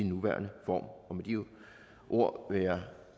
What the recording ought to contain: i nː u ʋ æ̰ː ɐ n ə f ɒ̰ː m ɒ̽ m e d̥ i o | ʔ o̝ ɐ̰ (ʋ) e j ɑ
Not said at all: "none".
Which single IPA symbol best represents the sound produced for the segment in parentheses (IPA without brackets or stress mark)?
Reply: ʋ